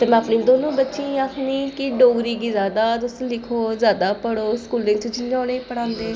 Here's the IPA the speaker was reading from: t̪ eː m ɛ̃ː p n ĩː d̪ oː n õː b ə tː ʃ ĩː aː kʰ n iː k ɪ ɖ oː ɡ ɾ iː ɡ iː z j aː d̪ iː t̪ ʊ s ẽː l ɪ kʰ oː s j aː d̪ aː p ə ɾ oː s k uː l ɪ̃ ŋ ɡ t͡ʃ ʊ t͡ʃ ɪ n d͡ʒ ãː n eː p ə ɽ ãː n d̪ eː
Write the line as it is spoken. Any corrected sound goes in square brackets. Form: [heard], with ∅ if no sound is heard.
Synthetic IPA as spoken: t̪ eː m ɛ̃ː p n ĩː d̪ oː n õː b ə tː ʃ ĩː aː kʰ n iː k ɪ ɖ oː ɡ ɾ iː ɡ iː z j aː d̪ [aː] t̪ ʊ s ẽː l ɪ kʰ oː [z] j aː d̪ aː p ə [ɽ] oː s k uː l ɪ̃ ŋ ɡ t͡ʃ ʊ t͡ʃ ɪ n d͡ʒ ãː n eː p ə ɽ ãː n d̪ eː